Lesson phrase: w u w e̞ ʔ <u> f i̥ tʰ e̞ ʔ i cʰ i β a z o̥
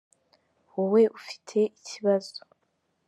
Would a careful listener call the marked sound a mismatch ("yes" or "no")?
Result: no